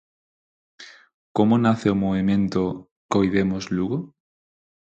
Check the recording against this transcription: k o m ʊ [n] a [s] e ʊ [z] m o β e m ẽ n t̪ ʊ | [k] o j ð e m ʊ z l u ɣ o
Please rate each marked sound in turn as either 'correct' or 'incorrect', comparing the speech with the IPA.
correct, incorrect, incorrect, correct

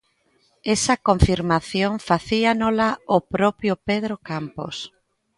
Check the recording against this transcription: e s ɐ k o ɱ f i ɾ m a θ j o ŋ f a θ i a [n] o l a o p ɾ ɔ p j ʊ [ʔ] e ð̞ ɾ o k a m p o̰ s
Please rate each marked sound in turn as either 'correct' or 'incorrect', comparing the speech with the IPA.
correct, incorrect

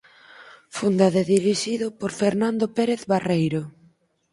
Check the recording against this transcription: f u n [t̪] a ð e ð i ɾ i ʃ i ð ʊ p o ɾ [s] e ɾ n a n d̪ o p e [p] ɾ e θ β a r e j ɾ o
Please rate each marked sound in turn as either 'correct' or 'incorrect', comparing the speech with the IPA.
incorrect, incorrect, incorrect

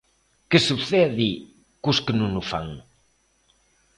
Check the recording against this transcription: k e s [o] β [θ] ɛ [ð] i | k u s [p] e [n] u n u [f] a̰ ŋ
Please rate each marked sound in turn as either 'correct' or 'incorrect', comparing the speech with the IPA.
incorrect, correct, correct, incorrect, correct, correct

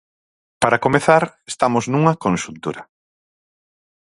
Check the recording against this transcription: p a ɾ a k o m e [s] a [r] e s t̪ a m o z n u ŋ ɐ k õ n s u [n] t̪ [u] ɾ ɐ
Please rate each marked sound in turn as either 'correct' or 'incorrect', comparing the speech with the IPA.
incorrect, incorrect, correct, correct

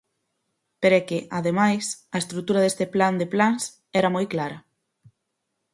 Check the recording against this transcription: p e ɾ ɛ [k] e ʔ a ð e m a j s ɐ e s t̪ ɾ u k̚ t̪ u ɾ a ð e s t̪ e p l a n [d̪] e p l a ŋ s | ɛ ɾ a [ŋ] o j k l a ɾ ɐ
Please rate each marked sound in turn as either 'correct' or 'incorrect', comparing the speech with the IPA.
correct, correct, incorrect

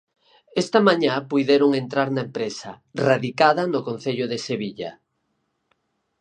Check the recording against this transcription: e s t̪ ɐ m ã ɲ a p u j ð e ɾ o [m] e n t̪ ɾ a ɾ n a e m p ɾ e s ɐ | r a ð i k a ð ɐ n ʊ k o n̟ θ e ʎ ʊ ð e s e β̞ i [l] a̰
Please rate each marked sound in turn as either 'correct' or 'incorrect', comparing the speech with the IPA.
incorrect, incorrect

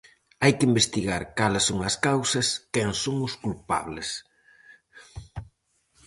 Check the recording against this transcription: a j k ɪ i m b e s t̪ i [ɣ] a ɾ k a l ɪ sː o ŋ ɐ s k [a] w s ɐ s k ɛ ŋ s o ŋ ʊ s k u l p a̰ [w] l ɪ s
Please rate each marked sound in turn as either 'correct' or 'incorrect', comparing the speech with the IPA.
correct, correct, incorrect

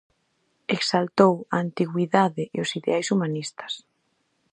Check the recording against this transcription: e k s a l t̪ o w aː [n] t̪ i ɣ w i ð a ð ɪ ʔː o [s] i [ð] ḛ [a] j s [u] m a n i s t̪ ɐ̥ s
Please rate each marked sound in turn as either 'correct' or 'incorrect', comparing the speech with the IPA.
correct, correct, correct, correct, correct

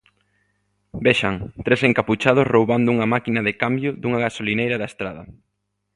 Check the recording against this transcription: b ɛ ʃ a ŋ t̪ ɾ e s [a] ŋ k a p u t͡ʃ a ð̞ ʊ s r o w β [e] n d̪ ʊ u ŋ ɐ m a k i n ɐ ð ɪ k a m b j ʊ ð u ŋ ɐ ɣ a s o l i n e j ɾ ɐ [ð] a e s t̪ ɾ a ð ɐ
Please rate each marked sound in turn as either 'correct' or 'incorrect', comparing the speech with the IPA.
incorrect, incorrect, correct

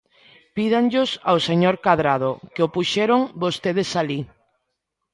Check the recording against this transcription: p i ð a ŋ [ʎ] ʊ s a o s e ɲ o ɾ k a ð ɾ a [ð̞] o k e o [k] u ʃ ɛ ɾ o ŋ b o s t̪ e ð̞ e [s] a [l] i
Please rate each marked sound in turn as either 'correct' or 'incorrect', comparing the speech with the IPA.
correct, correct, incorrect, correct, correct

